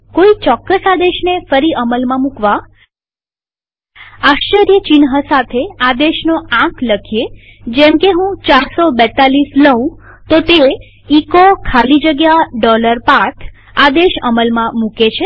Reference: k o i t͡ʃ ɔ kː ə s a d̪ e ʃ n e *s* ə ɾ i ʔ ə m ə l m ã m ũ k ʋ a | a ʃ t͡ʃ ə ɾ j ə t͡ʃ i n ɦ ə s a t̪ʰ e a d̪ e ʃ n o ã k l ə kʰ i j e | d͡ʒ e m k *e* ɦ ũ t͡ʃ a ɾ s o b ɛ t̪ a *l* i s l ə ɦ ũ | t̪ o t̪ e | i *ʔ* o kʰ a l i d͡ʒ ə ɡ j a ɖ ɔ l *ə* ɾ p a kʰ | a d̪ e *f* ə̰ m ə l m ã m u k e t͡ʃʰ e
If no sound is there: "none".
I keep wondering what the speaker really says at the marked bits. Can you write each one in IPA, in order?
f, e, l, k, ə, ʃ

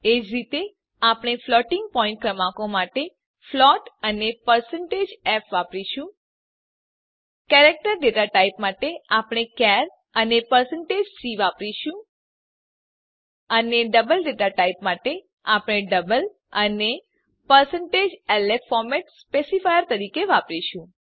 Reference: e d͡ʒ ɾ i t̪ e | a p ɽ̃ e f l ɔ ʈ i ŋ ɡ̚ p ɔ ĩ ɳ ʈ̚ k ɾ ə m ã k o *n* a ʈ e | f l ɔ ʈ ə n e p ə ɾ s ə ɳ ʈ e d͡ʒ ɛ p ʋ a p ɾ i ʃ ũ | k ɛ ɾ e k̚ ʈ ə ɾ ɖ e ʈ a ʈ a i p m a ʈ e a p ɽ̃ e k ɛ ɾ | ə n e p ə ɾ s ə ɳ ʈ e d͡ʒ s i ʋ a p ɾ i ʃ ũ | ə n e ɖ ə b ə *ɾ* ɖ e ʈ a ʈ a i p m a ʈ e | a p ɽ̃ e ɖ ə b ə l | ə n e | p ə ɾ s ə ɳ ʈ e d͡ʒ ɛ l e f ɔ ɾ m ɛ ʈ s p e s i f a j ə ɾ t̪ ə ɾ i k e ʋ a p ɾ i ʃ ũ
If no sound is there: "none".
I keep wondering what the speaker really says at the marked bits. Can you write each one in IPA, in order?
m, l

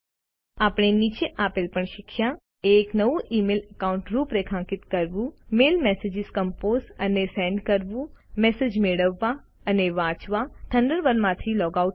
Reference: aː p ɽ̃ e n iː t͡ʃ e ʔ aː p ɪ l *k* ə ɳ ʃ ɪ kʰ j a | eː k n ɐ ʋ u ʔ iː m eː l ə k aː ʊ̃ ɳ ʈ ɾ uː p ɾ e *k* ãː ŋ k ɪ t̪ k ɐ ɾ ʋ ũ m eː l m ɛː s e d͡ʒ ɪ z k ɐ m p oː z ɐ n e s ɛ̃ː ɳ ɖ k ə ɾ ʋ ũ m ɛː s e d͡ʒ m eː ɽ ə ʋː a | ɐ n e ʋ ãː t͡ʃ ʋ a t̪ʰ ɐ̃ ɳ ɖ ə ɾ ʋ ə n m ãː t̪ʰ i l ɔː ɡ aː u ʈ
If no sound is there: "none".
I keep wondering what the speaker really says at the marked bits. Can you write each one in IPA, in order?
p, kʰ

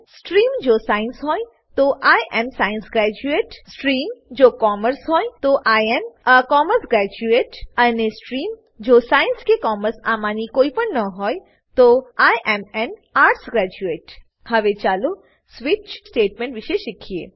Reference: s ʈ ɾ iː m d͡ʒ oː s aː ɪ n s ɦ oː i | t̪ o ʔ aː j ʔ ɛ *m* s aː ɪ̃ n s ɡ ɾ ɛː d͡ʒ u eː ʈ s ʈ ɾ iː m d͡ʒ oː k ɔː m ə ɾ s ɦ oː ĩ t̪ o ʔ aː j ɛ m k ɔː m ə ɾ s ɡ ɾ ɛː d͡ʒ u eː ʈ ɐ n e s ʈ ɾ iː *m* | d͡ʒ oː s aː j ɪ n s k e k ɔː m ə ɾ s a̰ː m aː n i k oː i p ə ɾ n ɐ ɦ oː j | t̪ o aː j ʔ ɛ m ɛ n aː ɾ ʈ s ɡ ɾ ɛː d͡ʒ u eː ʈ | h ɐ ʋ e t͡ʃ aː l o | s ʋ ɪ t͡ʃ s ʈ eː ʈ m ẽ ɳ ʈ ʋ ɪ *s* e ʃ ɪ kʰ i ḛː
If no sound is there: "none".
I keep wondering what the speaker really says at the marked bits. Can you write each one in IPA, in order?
m, m, ʃ

